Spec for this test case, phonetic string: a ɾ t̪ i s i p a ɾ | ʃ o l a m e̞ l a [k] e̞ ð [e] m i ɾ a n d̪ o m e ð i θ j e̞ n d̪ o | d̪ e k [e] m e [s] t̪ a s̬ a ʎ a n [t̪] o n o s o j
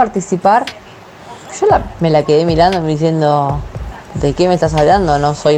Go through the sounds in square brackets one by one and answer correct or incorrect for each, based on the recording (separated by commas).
correct, correct, correct, correct, incorrect